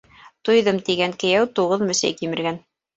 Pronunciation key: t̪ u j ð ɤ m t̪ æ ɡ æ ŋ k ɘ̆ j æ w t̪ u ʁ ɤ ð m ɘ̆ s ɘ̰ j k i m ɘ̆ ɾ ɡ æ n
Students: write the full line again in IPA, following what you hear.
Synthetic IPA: t̪ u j ð ɤ m t̪ i ɡ æ ŋ k ɘ̆ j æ w t̪ u ʁ ɤ ð m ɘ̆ s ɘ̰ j k i m ɘ̆ ɾ ɡ æ n